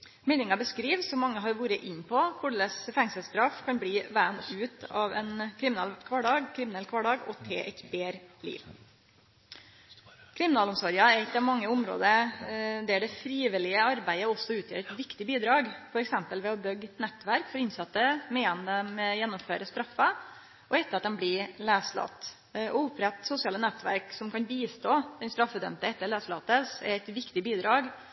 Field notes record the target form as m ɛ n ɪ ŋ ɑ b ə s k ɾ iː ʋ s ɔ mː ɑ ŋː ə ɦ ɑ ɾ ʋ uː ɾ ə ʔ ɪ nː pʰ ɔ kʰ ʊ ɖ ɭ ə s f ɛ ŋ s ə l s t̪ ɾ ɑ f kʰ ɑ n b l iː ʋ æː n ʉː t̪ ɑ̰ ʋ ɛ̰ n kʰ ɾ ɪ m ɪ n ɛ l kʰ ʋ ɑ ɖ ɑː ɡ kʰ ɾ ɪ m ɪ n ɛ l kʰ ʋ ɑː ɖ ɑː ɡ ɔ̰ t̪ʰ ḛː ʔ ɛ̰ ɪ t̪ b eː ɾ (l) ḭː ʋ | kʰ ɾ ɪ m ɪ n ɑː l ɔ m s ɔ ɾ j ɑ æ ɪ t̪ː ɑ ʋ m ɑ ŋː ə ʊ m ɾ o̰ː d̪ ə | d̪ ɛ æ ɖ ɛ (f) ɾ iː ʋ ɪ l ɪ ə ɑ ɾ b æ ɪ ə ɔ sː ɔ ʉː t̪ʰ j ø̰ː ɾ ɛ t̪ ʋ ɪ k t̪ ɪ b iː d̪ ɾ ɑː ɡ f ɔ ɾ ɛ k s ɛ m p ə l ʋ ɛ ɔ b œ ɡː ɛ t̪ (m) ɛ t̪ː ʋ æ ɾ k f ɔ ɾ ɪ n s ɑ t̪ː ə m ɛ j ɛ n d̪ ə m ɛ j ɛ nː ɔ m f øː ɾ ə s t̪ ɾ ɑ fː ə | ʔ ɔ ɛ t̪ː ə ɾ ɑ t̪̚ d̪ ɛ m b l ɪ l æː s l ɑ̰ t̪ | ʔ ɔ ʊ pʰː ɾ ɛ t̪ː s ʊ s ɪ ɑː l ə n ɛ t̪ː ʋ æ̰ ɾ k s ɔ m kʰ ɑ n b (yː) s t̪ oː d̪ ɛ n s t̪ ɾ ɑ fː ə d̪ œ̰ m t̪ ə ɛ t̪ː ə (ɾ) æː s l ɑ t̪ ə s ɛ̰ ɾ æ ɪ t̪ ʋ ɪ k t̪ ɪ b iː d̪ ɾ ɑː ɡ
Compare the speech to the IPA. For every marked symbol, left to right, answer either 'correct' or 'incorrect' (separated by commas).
correct, correct, incorrect, incorrect, incorrect